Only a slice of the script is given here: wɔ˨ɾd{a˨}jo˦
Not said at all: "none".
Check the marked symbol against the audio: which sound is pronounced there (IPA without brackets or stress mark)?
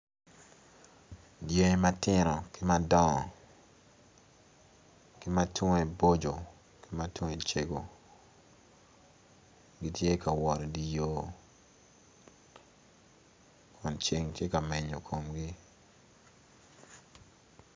i˨